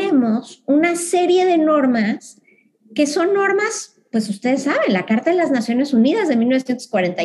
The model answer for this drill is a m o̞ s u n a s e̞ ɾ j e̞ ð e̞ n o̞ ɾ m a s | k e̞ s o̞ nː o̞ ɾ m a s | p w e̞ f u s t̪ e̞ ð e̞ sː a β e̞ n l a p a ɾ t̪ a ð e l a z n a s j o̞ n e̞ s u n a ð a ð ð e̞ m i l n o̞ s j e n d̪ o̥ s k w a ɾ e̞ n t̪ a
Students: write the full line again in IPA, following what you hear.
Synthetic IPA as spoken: e m o̞ s u n a s e̞ ɾ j e̞ ð e̞ n o̞ ɾ m a s | k e̞ s o̞ nː o̞ ɾ m a s | p w e̞ s u s t̪ e̞ ð e̞ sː a β e̞ n l a k a ɾ t̪ a ð e l a z n a s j o̞ n e̞ s u n i ð a z ð e̞ m i l n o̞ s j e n t̪ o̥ s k w a ɾ e̞ n t̪ a